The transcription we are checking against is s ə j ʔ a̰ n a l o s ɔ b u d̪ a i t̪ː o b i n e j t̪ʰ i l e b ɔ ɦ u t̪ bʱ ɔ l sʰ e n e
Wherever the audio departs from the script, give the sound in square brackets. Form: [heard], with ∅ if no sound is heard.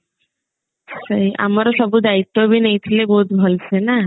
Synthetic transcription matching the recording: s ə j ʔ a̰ [m] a [ɾ] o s ɔ b u d̪ a i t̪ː o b i n e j t̪ʰ i l e b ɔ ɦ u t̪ bʱ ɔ l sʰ e n [a]